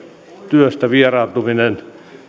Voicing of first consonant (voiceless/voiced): voiceless